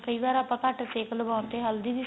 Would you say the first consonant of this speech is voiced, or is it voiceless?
voiceless